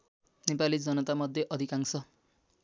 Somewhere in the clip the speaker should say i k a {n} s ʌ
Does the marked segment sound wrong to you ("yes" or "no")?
yes